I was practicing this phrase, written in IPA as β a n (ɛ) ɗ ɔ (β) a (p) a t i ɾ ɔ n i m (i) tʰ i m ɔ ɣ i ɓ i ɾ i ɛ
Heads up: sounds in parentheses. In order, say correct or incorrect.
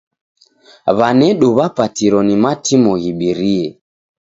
correct, correct, correct, incorrect

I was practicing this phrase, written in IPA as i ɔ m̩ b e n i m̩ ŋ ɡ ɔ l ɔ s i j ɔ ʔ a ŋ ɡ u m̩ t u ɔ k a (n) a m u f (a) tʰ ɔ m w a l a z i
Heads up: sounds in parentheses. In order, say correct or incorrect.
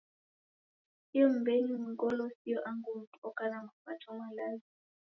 correct, correct

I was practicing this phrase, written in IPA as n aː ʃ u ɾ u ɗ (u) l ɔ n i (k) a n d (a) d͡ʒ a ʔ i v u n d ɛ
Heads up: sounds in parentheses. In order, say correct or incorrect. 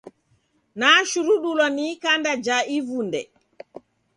correct, correct, correct

